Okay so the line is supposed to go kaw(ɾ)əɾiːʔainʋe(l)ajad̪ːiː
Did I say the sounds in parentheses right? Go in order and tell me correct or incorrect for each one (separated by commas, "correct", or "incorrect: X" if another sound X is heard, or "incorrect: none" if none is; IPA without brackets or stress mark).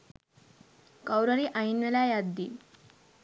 correct, correct